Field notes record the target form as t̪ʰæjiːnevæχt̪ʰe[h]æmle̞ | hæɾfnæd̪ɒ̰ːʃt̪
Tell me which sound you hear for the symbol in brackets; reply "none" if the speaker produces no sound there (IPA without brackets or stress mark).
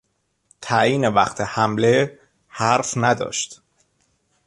h